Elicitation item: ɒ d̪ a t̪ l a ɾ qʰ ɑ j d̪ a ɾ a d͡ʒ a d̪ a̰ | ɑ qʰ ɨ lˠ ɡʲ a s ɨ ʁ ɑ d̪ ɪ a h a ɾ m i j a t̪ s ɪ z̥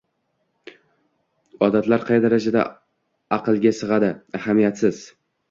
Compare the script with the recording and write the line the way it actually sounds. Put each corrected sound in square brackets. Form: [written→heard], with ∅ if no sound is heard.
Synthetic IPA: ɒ d̪ a t̪ l a ɾ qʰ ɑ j d̪ a ɾ a d͡ʒ a d̪ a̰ | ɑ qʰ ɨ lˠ ɡʲ a s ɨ ʁ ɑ d̪ ɪ a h a [ɾ→∅] m i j a t̪ s ɪ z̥